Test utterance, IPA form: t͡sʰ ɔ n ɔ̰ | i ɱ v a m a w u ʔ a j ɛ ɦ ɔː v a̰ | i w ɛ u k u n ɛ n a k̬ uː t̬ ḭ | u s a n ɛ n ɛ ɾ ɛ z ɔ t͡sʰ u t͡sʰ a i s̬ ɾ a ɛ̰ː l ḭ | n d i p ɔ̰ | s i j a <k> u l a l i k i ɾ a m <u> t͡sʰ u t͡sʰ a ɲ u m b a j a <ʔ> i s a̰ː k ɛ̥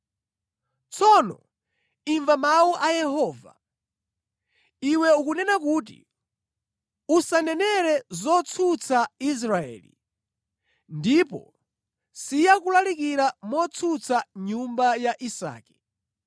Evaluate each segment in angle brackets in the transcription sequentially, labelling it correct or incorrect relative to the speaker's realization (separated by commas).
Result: correct, incorrect, correct